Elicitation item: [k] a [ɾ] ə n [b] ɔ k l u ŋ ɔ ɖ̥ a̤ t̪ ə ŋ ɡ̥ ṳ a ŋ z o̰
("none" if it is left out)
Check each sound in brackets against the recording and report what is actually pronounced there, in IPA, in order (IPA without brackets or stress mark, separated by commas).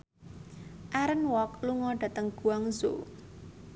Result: ʔ, ɾ, w